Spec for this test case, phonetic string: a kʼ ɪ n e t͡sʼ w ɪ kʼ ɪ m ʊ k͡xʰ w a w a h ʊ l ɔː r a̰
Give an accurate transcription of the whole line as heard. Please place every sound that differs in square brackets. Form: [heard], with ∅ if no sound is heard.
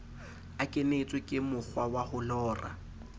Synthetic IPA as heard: a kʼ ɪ n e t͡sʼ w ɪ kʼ ɪ m ʊ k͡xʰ w a w a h ʊ l ɔː r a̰

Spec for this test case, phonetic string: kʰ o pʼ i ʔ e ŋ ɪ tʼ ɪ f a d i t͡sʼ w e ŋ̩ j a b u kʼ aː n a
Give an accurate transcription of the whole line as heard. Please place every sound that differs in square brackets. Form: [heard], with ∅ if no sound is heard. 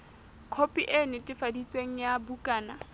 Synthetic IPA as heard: kʰ o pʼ i ʔ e [n] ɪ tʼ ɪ f a d i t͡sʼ w e ŋ̩ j a b u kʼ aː n a

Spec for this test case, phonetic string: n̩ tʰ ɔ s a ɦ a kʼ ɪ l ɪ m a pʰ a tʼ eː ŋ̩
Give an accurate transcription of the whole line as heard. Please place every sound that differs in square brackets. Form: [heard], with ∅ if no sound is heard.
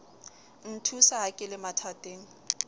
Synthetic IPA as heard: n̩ tʰ [u] s a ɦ a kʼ ɪ l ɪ m a [tʰ] a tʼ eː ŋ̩

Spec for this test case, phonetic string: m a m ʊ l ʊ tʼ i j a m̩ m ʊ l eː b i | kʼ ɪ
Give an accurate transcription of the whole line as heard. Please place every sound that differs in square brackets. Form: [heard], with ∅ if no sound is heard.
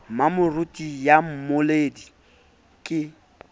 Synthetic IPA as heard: m a m ʊ [r] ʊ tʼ i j a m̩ m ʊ l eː [d] i | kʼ ɪ

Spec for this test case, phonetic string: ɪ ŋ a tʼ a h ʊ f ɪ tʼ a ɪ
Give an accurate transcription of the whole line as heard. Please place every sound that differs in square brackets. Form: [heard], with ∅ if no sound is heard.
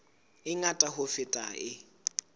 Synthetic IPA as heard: ɪ ŋ a tʼ a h ʊ f ɪ tʼ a ɪ

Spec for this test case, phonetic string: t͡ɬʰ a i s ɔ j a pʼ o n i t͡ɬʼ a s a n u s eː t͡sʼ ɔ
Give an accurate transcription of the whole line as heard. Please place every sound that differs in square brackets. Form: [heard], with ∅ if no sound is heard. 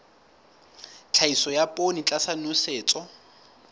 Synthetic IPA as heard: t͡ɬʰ a i s ɔ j a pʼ o n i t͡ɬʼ a s a n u s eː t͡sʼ ɔ

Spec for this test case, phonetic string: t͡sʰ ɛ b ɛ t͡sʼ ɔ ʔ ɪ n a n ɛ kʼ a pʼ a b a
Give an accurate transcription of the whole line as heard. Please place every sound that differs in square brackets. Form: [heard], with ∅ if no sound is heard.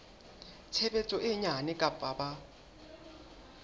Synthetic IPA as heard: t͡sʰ ɛ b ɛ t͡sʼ ɔ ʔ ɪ [ɲ] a n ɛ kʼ a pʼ a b a

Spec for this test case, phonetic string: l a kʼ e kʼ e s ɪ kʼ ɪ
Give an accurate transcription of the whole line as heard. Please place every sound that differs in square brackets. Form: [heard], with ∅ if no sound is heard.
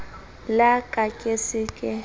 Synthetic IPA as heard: l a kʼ [a] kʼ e s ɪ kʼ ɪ

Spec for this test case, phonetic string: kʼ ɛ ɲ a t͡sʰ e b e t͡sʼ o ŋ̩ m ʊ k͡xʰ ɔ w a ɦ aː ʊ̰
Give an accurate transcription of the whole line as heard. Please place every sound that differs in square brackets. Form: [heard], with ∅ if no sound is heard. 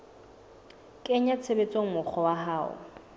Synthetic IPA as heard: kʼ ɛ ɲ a t͡sʰ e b e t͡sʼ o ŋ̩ m ʊ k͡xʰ ɔ w a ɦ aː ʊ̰

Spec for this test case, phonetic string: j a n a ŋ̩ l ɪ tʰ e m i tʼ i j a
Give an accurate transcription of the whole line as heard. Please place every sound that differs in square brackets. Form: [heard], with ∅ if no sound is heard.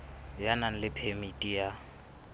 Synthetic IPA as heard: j a n a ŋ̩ l ɪ [pʰ] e m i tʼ i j a

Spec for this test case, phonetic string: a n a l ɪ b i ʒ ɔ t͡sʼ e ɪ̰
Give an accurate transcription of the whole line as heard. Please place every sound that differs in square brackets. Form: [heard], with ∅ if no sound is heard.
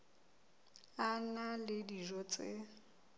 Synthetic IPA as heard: a n a l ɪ [d] i ʒ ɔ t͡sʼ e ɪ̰

